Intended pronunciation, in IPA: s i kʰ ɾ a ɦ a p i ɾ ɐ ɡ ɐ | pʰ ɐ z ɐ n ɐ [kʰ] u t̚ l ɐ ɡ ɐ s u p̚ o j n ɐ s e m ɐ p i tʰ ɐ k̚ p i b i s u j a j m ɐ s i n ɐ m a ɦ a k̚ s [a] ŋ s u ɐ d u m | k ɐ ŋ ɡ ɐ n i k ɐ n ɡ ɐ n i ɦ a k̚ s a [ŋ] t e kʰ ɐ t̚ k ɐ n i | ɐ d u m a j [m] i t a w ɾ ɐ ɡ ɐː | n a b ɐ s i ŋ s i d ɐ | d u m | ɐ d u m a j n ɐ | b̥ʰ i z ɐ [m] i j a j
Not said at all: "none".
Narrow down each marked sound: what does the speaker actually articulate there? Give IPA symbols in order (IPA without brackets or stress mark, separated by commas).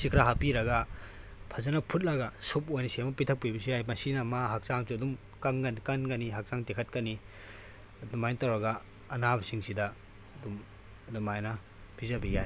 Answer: pʰ, a, ŋ, n, b